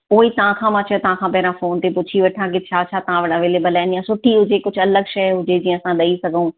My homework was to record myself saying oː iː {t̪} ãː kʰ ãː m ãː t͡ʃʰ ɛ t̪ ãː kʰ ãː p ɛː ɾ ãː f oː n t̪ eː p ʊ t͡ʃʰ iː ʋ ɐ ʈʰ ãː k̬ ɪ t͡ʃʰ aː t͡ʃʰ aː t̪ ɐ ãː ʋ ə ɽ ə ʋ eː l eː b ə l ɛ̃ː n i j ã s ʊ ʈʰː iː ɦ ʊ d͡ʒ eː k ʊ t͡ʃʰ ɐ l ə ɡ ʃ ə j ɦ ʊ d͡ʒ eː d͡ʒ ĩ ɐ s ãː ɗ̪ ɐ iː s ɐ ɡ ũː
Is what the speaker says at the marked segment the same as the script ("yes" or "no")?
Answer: yes